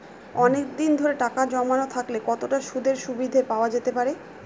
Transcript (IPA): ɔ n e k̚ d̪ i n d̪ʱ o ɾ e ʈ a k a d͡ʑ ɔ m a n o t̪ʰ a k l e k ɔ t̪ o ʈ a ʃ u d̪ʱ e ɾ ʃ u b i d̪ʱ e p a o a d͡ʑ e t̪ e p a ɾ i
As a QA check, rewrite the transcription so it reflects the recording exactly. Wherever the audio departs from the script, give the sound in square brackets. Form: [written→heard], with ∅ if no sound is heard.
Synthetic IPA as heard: ɔ n e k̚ d̪ i n d̪ʱ o ɾ e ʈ a k a d͡ʑ ɔ m a n o t̪ʰ a k l e k ɔ t̪ o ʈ a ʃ u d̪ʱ e ɾ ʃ u b i d̪ʱ e p a o a d͡ʑ e t̪ e p a ɾ [i→e]